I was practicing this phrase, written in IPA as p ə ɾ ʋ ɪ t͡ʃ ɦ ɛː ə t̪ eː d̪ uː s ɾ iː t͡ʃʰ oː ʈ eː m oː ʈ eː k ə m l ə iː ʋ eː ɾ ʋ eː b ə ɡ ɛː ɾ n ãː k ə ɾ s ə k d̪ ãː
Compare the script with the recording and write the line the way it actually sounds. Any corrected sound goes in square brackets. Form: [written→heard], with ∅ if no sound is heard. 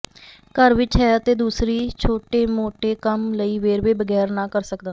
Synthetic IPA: [p→k] ə ɾ ʋ ɪ t͡ʃ ɦ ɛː ə t̪ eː d̪ uː s ɾ iː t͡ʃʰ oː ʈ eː m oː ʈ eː k ə m l ə iː ʋ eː ɾ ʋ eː b ə ɡ ɛː ɾ n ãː k ə ɾ s ə k d̪ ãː